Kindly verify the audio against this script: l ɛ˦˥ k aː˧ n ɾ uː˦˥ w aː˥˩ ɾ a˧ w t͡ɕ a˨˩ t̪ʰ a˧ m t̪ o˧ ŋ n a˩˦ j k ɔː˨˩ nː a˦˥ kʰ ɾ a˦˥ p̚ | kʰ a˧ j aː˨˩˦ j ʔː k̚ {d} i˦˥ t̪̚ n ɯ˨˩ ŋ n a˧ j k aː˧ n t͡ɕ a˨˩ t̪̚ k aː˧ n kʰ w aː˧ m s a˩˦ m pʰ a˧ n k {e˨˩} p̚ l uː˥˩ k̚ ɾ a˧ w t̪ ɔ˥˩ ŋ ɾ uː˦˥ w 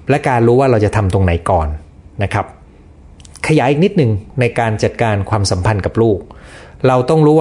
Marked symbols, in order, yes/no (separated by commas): no, no